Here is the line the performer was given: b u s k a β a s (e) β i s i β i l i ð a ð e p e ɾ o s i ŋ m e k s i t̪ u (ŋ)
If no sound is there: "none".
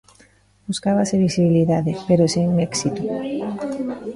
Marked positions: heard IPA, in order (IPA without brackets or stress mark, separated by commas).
e, none